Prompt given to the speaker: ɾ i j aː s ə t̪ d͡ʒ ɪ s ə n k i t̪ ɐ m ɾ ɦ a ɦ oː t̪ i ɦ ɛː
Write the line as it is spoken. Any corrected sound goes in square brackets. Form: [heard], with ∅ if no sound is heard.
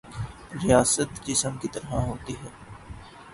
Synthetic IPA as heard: ɾ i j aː s ə t̪ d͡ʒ ɪ s ə [m] k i t̪ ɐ [∅] ɾ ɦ a ɦ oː t̪ i ɦ ɛː